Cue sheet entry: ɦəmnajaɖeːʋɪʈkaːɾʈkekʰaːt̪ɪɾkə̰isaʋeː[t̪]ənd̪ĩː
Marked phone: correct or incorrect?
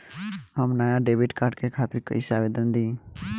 incorrect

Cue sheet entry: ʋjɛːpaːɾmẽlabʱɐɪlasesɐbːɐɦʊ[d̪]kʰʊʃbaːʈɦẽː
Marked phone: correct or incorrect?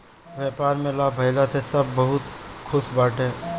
incorrect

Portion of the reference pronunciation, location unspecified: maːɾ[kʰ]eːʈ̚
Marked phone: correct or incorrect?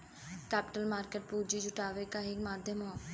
incorrect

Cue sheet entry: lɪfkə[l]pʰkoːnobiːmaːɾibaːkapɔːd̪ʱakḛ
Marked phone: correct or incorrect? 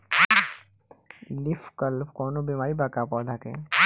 correct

